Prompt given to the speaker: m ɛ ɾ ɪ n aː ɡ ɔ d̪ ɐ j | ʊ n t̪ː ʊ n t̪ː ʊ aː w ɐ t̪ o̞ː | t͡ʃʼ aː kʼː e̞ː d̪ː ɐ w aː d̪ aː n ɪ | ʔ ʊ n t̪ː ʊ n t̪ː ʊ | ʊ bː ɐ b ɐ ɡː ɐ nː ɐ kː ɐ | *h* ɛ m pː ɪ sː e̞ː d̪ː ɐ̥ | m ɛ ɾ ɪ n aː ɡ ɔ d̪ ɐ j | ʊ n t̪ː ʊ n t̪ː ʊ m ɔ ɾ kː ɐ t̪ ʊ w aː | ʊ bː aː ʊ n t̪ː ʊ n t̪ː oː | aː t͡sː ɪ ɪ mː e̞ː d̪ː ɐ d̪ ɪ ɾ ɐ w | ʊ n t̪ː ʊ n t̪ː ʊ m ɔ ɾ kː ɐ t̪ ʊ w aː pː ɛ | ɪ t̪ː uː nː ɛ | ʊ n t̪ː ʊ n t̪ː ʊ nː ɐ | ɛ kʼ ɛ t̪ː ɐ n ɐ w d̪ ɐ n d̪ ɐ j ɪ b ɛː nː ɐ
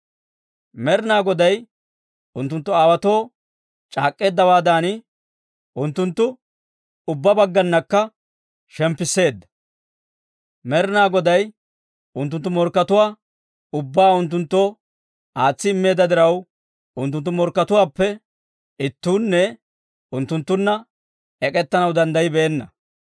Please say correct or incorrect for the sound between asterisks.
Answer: incorrect